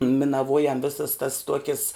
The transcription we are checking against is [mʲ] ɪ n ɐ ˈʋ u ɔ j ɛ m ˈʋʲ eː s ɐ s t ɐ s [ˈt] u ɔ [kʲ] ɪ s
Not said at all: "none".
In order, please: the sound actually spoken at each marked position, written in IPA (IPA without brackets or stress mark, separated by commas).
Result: mʲ, t, kʲ